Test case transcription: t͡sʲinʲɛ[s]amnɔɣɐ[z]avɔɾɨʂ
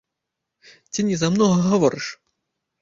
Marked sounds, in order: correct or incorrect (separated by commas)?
incorrect, incorrect